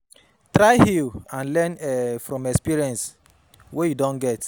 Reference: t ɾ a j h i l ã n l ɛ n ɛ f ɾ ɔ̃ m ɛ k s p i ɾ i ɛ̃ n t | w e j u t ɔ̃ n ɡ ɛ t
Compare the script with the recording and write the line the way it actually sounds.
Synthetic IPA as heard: t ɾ a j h i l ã n l ɛ n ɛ f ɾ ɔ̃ m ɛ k s p i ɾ i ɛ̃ n s | w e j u d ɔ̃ n ɡ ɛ t